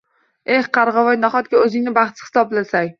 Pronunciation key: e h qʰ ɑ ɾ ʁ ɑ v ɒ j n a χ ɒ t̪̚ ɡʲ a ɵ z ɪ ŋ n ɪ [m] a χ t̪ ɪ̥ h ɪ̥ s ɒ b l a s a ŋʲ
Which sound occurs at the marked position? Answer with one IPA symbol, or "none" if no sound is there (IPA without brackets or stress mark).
b